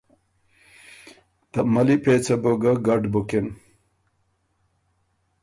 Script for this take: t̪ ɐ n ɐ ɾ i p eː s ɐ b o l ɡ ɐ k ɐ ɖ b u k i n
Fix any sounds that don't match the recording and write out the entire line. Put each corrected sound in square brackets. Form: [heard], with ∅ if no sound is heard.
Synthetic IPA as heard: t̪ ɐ [m] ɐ [l] i p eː [t͡s] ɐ b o [∅] ɡ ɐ [ɡ] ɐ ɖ b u k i n